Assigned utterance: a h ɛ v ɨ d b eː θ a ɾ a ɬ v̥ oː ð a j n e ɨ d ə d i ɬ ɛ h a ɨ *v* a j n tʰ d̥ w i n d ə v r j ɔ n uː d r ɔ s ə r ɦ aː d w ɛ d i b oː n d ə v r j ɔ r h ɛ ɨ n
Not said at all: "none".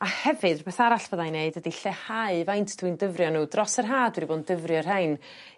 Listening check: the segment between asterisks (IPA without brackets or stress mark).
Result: v